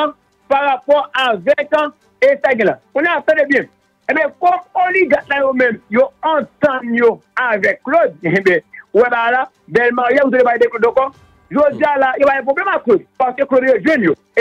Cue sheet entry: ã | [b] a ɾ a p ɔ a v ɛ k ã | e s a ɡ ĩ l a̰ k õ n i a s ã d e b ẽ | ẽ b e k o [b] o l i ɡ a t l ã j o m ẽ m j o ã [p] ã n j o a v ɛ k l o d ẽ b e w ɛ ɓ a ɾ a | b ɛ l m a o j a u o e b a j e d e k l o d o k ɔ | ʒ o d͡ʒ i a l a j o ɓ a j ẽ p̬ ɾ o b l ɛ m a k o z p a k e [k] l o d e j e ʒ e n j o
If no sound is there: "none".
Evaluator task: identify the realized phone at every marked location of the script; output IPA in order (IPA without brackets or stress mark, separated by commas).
p, m, t, k